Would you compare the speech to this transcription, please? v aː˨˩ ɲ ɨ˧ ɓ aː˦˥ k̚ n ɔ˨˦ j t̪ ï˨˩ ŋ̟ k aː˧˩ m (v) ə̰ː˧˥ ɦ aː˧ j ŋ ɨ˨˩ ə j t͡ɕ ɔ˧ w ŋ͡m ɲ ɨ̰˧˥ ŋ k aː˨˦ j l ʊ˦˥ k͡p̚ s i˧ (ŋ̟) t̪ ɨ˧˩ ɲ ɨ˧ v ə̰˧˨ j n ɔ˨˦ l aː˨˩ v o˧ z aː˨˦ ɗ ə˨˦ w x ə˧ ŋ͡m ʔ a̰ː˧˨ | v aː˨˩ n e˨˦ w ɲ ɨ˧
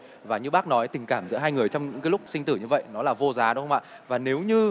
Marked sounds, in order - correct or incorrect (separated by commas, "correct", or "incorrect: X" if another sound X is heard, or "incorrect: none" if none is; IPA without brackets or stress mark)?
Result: incorrect: z, correct